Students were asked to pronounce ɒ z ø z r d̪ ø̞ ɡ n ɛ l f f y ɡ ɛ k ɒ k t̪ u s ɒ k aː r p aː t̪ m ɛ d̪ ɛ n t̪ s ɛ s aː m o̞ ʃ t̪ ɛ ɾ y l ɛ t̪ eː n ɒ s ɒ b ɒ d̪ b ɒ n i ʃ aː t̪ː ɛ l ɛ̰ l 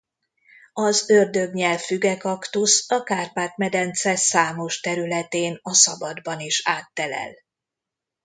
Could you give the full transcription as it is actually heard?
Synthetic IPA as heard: ɒ z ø r d̪ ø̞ ɡ ɲ ɛ l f f y ɡ ɛ k ɒ k t̪ u s ɒ k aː r p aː t̪ m ɛ d̪ ɛ n t̪ s ɛ s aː m o̞ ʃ t̪ ɛ ɾ y l ɛ t̪ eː n ɒ s ɒ b ɒ d̪ b ɒ n i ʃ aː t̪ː ɛ l ɛ̰ l